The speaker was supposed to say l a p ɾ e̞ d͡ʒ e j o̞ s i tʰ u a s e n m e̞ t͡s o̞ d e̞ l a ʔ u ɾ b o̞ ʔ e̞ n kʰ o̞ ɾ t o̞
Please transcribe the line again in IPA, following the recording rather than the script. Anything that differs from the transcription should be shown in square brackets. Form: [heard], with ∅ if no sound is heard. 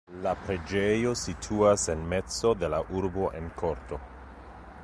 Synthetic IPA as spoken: l a p ɾ e̞ d͡ʒ e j o̞ s i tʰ u a s e n m e̞ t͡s o̞ d e̞ l a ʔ u ɾ b o̞ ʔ e̞ n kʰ o̞ ɾ t o̞